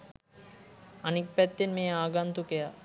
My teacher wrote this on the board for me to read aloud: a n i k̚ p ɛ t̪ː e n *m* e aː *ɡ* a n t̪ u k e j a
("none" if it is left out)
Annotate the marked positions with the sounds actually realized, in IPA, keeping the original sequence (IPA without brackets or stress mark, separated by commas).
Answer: m, ɡ